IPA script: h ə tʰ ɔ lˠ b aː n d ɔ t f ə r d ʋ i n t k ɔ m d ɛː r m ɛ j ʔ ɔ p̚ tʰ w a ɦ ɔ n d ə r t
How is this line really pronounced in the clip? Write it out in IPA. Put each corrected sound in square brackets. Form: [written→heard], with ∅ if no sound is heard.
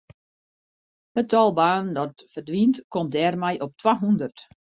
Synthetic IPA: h ə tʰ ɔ lˠ b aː n d ɔ t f ə r d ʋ i n t k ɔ m d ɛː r m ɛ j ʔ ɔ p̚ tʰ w a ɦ [ɔ→u] n d ə r t